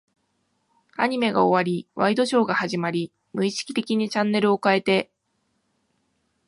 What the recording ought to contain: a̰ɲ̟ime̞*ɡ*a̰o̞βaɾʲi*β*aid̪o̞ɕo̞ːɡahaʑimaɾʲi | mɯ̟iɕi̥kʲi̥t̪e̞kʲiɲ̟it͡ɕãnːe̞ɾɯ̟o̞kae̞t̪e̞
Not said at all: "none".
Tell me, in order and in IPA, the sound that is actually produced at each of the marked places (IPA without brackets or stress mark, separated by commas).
ɡ, β